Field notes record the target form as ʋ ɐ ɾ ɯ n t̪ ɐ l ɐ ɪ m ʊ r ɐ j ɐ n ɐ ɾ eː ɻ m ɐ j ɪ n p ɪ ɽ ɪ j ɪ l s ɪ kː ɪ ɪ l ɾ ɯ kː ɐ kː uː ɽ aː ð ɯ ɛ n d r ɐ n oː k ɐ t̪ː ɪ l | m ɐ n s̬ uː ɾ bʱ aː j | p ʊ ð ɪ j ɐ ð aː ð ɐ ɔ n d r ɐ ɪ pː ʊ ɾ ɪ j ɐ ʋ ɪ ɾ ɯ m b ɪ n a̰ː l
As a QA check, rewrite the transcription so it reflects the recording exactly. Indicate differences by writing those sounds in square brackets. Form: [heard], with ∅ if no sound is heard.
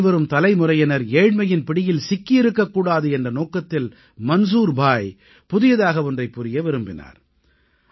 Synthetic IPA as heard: ʋ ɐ ɾ ɯ [m] t̪ ɐ l ɐ ɪ m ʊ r ɐ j ɐ n ɐ ɾ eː ɻ m ɐ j ɪ n p ɪ ɽ ɪ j ɪ l s ɪ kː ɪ ɪ [∅] ɾ ɯ kː ɐ kː uː ɽ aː ð ɯ ɛ n d r ɐ n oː k ɐ t̪ː ɪ l | m ɐ n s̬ uː ɾ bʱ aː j | p ʊ ð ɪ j ɐ ð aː [ɣ] ɐ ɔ n d r ɐ ɪ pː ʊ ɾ ɪ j ɐ ʋ ɪ ɾ ɯ m b ɪ n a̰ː [ɾ]